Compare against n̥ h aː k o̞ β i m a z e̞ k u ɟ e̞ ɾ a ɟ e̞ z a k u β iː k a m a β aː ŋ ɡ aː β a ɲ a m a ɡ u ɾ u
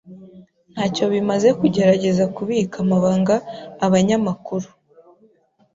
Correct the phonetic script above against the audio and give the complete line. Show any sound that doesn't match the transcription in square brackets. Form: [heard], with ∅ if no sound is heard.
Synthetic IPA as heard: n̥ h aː [c] o̞ β i m a z e̞ k u ɟ e̞ ɾ a ɟ e̞ z a k u β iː k a m a β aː ŋ ɡ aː β a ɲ a m a [k] u ɾ u